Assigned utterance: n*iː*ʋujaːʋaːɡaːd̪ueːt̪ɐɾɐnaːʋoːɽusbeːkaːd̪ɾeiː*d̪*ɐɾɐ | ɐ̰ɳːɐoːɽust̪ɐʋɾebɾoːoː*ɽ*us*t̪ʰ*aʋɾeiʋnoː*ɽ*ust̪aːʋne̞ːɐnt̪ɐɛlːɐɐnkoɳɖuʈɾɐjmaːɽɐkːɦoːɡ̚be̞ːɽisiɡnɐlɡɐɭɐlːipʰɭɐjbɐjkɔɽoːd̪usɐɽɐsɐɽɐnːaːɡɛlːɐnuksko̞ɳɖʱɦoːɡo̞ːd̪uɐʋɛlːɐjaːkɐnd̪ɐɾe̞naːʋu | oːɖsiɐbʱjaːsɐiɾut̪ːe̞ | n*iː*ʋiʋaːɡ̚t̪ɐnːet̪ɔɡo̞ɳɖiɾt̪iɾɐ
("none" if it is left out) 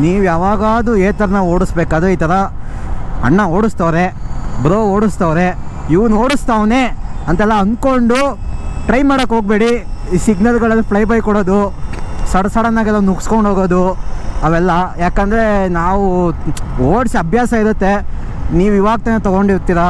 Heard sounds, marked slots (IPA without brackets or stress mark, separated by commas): iː, t̪, ɽ, t̪, ɽ, iː